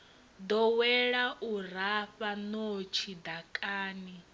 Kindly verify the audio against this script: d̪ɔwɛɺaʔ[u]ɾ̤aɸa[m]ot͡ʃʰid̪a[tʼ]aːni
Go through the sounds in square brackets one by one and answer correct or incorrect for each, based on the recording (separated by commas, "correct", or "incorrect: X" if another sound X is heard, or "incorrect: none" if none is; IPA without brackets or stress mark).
correct, incorrect: n, incorrect: kʼ